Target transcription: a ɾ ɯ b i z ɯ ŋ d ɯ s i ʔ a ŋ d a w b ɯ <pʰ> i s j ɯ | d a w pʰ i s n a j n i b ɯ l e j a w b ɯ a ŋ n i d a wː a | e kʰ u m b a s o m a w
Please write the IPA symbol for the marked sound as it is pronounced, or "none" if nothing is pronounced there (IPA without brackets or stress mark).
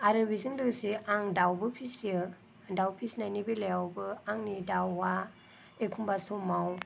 pʰ